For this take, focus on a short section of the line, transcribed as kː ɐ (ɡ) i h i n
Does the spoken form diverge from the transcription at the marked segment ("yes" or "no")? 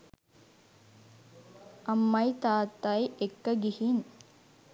no